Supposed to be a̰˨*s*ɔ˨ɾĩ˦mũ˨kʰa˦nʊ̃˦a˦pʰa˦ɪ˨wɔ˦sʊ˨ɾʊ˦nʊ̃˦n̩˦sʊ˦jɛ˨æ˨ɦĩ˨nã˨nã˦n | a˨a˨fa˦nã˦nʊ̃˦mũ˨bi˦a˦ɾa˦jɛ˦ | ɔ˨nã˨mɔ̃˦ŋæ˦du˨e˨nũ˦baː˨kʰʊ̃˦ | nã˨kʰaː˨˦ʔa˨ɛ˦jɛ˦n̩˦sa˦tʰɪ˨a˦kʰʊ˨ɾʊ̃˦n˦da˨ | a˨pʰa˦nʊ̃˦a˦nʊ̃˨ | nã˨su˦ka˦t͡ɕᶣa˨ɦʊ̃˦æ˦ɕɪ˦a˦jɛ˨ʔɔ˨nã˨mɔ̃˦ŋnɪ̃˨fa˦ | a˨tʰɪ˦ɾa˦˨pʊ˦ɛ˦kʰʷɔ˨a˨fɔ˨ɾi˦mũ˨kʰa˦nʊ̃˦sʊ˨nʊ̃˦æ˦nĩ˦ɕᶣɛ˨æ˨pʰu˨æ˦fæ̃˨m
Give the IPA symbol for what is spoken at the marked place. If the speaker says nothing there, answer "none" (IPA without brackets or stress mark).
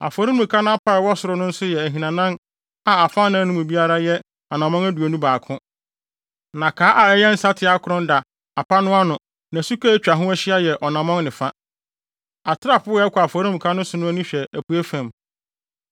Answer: f